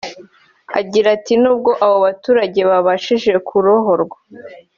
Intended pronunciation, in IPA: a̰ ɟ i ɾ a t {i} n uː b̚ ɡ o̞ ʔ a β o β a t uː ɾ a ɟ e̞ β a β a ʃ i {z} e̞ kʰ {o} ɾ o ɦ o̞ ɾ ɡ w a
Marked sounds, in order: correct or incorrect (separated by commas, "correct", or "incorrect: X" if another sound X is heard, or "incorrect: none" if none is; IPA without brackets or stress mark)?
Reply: correct, incorrect: ʒ, incorrect: u